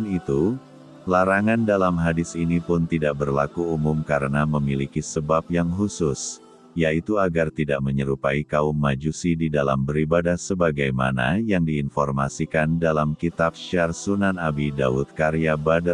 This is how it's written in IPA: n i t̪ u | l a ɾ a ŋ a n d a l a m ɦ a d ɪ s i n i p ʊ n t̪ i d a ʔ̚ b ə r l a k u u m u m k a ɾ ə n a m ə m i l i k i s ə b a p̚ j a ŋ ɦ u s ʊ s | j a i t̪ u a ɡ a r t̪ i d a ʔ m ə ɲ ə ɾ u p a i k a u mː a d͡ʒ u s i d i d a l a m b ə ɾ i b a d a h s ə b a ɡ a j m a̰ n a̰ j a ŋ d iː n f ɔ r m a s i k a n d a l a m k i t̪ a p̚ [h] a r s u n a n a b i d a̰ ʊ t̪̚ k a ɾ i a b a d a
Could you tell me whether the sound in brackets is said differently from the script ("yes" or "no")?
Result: yes